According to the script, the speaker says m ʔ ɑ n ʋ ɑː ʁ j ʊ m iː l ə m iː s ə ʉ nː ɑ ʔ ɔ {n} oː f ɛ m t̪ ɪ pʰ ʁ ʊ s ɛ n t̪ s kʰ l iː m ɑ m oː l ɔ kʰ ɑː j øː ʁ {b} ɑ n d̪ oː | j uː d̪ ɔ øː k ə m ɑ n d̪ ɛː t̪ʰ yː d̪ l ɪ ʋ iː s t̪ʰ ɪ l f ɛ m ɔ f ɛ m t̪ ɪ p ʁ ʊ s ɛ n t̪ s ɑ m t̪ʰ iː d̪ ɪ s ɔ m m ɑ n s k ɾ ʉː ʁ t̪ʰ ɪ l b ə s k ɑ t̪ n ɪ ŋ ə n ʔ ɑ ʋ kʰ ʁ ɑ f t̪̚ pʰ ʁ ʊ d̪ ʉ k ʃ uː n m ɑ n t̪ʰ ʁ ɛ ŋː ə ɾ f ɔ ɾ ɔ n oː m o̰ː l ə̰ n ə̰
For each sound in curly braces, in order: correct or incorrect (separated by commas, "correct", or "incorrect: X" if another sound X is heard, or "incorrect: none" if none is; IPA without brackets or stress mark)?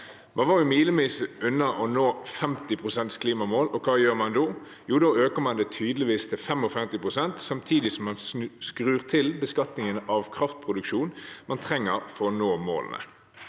correct, incorrect: m